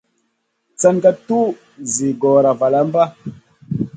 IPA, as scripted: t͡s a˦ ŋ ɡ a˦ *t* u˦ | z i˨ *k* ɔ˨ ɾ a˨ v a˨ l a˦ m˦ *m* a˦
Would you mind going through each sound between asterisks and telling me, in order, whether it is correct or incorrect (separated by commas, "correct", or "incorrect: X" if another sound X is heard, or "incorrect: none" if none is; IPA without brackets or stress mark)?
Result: correct, incorrect: ɡ, incorrect: b